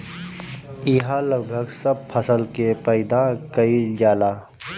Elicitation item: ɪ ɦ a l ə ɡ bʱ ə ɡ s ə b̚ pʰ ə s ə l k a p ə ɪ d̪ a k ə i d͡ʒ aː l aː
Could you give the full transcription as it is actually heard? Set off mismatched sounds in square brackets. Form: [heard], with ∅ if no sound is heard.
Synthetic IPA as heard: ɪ ɦ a l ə ɡ bʱ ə ɡ s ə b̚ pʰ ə s ə l k [e] p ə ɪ d̪ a k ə i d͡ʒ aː l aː